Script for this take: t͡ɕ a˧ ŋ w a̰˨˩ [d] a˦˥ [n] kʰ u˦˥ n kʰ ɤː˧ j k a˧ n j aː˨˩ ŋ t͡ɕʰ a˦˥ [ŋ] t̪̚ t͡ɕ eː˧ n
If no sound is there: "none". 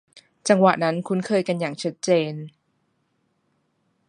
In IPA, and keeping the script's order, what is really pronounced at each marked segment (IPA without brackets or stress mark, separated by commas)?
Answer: n, n, none